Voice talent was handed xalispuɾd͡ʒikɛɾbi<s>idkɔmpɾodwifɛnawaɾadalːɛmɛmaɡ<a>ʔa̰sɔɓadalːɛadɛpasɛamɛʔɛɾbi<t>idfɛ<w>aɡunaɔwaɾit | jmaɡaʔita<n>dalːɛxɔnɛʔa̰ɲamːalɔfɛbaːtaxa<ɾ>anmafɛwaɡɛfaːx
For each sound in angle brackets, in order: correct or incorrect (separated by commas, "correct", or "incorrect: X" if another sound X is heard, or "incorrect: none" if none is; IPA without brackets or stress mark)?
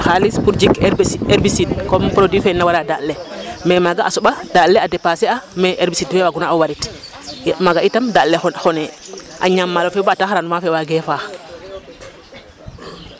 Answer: correct, correct, incorrect: s, correct, incorrect: m, correct